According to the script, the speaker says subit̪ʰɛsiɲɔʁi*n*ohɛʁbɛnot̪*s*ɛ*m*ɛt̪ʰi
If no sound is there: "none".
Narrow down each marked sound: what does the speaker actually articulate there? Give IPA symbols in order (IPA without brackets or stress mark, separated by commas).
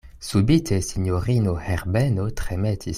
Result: n, χ, m